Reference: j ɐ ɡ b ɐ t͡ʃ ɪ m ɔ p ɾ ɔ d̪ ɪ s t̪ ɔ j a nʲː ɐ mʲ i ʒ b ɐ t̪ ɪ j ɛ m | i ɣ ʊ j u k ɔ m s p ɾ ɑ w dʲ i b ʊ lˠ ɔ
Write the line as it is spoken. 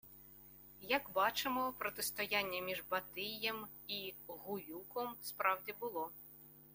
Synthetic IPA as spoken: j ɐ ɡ b ɑ t͡ʃ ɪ m ɔ p ɾ ɔ t̪ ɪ s t̪ ɔ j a nʲː ɐ mʲ i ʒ b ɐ t̪ ɪ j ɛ m | i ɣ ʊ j u k ɔ m s p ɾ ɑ w dʲ i b ʊ lˠ ɔ